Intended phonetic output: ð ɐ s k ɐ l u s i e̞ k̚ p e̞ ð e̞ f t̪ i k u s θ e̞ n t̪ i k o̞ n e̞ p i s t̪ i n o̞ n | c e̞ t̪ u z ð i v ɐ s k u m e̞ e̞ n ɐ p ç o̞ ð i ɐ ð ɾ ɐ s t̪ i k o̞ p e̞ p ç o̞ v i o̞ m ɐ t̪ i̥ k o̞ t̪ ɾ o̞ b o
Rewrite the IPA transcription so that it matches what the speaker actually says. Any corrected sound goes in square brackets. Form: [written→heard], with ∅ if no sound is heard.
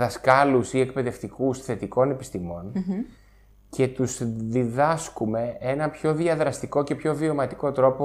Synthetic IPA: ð ɐ s k ɐ l u s i e̞ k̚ p e̞ ð e̞ f t̪ i k u s θ e̞ [n→∅] t̪ i k o̞ n e̞ p i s t̪ i [n→m] o̞ n | c e̞ t̪ u z ð i [v→ð] ɐ s k u m e̞ e̞ n ɐ p ç o̞ ð i ɐ ð ɾ ɐ s t̪ i k o̞ [p→c] e̞ p ç o̞ v i o̞ m ɐ t̪ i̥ k o̞ t̪ ɾ o̞ [b→p] o